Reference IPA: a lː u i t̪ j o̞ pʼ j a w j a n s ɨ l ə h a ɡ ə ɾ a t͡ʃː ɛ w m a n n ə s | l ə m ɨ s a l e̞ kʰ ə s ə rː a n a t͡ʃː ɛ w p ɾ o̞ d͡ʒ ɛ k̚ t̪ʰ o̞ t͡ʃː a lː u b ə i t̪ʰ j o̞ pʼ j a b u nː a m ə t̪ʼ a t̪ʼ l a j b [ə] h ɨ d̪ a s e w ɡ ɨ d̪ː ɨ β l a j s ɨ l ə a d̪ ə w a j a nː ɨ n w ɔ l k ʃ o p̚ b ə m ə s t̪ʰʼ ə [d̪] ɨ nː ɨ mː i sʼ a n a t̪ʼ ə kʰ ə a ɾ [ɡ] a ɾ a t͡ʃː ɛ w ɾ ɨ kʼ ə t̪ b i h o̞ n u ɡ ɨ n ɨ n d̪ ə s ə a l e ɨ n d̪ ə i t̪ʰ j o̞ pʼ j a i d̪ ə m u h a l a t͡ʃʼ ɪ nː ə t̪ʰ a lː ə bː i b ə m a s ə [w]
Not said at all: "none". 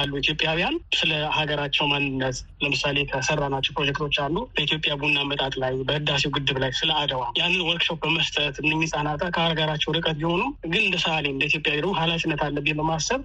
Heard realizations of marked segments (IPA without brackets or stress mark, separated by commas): ə, t̪, ɡ, β